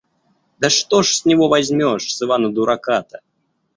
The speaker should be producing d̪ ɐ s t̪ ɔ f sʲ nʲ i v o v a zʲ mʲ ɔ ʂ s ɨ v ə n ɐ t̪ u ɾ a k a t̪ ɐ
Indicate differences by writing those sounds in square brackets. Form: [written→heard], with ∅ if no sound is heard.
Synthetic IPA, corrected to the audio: d̪ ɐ [s→ʂ] t̪ ɔ [f→ʂ] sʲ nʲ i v [o→ɔ] v a zʲ mʲ ɔ ʂ s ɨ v [ə→a] n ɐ [t̪→d̪] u ɾ a k a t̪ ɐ